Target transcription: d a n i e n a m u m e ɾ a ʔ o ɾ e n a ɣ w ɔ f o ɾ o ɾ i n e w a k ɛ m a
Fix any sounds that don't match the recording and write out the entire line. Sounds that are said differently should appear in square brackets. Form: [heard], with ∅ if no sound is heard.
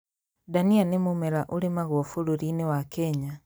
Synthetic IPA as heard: d a n i [a] n [e] m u m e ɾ a ʔ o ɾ e [m] a ɣ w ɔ f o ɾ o ɾ i n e w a k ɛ [ɲ] a